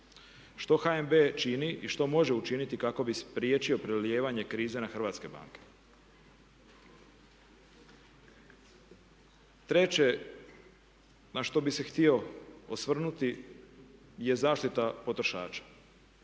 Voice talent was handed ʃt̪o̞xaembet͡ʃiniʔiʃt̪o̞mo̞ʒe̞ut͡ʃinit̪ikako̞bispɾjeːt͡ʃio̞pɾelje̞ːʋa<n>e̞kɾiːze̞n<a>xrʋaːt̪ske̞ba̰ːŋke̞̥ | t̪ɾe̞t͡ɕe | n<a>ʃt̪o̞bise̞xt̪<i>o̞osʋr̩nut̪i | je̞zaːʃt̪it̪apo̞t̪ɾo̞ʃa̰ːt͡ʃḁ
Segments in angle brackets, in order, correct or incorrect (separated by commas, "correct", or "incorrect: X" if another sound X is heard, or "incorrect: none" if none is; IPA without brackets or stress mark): incorrect: ɲ, correct, correct, correct